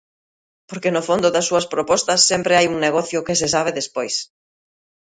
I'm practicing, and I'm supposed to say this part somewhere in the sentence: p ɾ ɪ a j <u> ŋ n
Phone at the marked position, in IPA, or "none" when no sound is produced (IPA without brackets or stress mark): u